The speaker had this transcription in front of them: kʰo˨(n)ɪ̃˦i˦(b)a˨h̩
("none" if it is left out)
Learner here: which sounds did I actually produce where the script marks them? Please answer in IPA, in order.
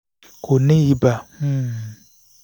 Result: n, b

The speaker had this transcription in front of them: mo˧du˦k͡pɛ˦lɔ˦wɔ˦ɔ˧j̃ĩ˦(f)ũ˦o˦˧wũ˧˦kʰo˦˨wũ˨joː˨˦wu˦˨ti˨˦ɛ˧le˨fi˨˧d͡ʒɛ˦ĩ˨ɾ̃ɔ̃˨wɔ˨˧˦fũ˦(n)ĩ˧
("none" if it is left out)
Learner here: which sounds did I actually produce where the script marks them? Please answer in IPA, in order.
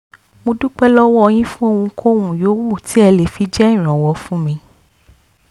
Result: f, m

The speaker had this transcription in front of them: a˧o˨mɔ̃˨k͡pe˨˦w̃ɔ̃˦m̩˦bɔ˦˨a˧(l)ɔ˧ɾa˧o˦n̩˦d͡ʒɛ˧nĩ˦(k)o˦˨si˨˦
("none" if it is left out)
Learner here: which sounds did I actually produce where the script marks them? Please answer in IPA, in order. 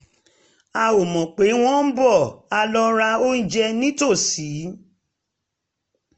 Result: l, t

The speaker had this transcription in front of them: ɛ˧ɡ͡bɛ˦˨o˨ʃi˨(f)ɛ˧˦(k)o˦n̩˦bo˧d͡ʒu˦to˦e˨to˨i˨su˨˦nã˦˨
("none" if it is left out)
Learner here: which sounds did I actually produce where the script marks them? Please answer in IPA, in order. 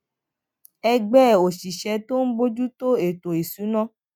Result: ʃ, t

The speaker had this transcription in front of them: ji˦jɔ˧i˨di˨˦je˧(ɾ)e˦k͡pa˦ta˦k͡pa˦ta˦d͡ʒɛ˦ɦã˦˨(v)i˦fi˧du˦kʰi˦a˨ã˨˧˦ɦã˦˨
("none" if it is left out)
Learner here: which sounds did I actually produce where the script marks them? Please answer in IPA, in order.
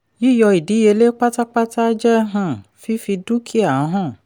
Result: l, f

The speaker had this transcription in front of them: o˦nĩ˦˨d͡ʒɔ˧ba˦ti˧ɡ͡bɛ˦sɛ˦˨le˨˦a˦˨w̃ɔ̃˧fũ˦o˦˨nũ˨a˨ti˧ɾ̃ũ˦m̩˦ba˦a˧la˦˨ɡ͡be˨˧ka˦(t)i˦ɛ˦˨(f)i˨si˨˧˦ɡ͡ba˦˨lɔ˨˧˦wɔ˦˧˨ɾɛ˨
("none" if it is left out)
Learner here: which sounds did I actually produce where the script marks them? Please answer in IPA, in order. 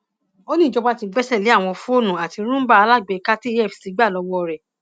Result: t, f

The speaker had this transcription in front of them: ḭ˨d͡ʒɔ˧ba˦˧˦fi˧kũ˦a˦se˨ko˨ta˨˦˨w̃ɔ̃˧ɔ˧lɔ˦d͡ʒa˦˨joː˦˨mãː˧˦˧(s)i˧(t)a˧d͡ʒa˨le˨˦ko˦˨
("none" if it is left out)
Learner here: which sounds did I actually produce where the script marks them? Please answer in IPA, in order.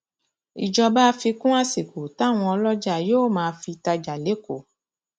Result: f, t

